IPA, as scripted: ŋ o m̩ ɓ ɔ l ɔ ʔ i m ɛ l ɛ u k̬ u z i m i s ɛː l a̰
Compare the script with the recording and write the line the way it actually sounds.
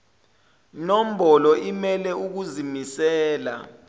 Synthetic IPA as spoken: n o m̩ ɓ ɔ l ɔ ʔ i m ɛ l ɛ u k̬ u z i m i s ɛː l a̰